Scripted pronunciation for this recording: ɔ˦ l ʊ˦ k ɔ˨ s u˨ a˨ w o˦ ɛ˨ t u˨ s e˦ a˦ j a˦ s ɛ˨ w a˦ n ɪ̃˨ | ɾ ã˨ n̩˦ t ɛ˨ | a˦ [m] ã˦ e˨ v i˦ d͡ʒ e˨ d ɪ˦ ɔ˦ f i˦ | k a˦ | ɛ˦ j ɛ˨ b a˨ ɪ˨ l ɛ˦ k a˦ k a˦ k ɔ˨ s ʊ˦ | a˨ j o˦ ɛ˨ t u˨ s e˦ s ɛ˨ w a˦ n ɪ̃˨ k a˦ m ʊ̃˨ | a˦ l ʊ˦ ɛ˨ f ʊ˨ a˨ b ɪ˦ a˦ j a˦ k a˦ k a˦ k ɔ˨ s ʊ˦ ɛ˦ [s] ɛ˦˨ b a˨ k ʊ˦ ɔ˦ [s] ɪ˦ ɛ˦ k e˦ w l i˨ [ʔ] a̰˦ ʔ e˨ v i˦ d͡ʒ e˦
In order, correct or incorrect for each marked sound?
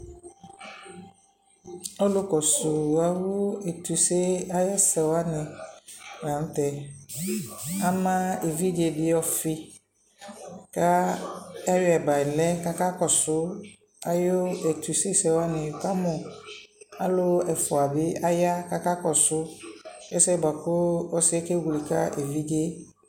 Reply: correct, correct, correct, incorrect: k

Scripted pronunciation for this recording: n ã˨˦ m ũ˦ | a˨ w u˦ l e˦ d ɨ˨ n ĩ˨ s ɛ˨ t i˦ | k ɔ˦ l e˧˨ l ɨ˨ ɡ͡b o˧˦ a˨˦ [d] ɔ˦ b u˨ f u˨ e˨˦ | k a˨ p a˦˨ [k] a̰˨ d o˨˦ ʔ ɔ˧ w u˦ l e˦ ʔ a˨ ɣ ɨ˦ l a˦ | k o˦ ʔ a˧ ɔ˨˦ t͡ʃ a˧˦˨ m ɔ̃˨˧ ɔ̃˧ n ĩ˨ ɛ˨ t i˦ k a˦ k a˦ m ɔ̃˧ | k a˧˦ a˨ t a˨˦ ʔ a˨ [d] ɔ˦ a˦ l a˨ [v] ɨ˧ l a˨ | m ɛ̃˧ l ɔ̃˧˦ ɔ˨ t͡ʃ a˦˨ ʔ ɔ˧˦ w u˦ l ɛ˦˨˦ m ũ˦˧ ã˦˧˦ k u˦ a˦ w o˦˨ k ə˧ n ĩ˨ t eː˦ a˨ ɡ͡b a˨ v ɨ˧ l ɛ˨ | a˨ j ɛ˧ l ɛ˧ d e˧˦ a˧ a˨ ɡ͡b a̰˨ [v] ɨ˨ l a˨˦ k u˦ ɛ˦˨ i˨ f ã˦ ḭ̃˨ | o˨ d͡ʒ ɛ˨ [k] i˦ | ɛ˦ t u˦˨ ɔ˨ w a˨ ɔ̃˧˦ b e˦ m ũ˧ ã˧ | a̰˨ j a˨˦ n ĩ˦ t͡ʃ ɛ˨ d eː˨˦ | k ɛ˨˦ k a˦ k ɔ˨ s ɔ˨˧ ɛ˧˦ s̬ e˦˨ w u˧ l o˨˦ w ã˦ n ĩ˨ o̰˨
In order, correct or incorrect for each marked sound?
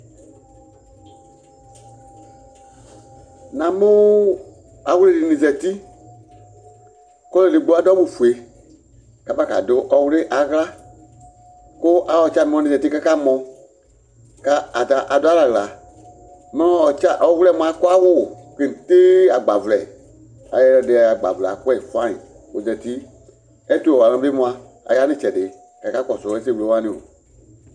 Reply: correct, correct, correct, incorrect: ɣ, correct, incorrect: t

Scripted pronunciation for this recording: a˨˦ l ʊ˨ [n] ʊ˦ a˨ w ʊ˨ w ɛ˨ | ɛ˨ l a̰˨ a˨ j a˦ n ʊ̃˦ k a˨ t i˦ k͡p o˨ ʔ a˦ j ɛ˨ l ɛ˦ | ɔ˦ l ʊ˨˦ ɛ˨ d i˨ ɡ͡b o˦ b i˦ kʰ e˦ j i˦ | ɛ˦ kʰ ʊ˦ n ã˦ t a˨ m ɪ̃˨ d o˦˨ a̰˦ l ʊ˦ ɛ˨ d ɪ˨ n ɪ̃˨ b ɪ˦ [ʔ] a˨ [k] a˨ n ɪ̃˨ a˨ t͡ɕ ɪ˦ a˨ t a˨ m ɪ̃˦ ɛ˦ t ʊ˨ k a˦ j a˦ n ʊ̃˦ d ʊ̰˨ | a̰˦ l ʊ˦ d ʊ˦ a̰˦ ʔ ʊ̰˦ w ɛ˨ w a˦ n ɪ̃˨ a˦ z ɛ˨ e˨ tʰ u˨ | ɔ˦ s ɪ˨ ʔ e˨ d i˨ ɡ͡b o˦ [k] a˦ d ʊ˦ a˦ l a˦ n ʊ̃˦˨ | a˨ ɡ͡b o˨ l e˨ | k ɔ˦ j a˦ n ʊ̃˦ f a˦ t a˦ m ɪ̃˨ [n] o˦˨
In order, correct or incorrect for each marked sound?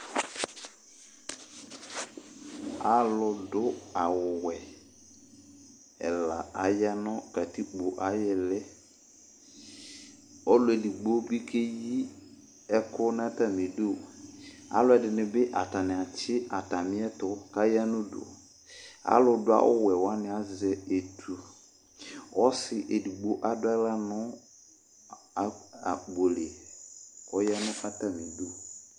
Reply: incorrect: d, correct, incorrect: t, incorrect: ʔ, incorrect: d

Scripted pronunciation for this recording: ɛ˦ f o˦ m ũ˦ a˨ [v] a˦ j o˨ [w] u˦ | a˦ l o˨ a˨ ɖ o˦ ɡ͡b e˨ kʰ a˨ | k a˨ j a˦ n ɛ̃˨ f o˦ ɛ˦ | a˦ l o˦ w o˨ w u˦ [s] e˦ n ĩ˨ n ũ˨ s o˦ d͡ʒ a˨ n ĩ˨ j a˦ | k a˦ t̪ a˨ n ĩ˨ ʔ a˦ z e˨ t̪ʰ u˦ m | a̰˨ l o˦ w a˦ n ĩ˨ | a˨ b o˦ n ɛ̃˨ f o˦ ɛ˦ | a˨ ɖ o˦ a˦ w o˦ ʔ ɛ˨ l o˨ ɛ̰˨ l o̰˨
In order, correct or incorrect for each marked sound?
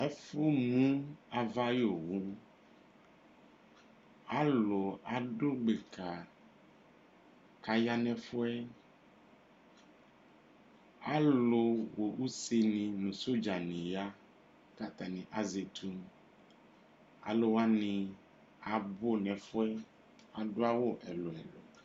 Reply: correct, correct, correct

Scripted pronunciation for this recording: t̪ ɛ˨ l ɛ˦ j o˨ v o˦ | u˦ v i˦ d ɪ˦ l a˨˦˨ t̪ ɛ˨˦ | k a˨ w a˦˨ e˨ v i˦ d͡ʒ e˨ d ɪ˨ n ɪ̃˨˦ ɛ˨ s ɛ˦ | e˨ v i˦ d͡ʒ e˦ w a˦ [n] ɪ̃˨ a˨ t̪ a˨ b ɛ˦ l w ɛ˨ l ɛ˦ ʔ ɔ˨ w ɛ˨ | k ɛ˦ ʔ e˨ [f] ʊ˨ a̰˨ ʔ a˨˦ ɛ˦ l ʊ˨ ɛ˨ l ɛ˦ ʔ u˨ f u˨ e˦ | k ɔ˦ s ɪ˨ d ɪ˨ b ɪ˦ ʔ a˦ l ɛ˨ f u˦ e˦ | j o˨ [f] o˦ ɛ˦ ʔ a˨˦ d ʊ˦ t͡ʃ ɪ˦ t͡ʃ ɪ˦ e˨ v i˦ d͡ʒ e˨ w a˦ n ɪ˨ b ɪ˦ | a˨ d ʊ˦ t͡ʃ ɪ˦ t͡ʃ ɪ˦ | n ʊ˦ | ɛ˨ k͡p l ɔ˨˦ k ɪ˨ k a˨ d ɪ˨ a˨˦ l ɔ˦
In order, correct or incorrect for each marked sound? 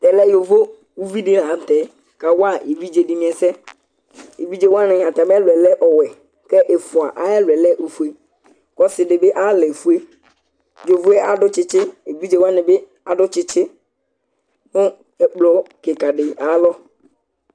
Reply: correct, correct, incorrect: v

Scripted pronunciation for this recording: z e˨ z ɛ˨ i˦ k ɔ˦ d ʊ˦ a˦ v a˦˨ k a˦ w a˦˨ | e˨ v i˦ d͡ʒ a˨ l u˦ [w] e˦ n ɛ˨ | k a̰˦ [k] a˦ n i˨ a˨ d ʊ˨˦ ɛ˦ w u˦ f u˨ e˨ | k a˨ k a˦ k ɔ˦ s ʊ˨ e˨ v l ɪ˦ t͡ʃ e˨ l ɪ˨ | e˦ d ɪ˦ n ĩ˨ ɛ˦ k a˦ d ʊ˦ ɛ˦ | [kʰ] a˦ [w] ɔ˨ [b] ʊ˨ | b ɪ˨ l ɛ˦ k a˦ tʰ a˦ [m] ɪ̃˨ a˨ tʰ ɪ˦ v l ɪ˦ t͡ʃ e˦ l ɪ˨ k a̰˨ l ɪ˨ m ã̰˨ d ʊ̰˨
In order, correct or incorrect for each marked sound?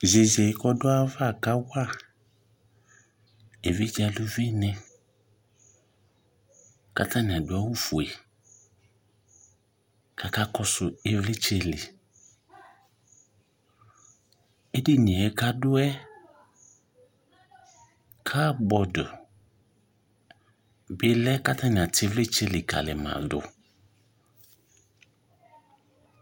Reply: incorrect: v, incorrect: t, correct, incorrect: b, incorrect: d, incorrect: n

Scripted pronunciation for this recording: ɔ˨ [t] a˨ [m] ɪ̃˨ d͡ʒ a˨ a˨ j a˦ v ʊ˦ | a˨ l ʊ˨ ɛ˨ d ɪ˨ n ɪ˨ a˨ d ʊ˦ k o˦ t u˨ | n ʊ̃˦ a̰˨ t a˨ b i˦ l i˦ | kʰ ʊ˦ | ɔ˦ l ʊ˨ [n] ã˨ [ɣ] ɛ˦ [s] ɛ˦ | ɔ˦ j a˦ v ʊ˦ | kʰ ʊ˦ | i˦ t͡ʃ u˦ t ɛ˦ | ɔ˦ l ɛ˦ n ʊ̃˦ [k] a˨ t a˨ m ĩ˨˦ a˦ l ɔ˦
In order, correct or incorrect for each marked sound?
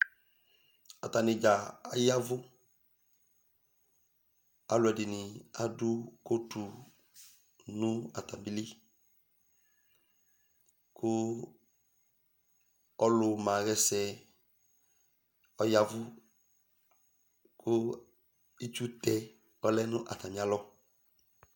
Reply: correct, incorrect: n, incorrect: m, correct, correct, incorrect: ʔ

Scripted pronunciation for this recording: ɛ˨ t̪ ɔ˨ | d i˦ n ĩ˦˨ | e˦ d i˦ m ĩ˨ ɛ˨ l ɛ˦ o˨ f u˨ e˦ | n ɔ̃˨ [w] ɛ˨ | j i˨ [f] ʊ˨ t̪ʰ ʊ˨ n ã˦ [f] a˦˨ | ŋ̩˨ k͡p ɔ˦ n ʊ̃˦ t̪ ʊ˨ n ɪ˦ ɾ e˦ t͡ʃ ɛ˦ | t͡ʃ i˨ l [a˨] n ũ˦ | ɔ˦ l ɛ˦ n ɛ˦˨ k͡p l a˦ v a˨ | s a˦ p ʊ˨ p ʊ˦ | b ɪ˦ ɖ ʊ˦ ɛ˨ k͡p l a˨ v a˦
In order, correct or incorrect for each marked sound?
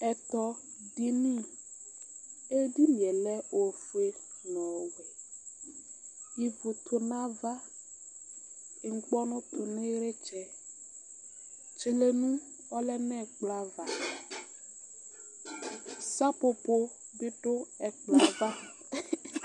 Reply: correct, incorrect: v, incorrect: v, incorrect: e˨

